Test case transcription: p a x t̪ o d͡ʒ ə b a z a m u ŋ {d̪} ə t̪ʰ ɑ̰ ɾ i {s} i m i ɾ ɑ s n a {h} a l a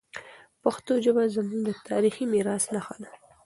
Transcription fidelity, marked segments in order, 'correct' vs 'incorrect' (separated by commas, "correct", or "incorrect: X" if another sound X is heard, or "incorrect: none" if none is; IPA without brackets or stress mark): correct, incorrect: x, incorrect: x